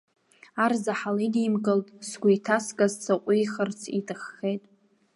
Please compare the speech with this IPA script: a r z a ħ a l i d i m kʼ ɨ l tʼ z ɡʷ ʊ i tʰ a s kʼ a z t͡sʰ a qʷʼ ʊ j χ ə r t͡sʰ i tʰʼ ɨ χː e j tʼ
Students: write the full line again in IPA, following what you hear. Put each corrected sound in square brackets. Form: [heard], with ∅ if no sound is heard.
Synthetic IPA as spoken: a r z a ħ a l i d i m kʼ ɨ l tʼ [s] ɡʷ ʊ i tʰ a s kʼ a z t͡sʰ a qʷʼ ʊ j χ ə r t͡sʰ i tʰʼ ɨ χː e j tʼ